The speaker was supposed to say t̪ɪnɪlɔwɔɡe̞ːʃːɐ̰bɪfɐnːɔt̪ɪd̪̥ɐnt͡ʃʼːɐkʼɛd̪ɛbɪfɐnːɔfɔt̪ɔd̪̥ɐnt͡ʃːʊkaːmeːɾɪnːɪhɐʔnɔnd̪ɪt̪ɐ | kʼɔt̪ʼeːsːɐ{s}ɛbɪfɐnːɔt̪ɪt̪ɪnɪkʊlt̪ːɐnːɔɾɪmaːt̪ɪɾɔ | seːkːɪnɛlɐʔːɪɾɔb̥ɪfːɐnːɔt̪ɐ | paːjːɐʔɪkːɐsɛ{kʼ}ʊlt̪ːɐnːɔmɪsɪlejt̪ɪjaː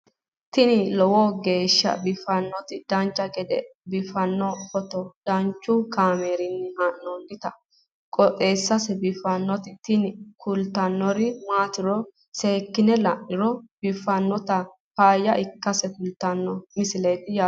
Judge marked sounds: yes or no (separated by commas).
yes, no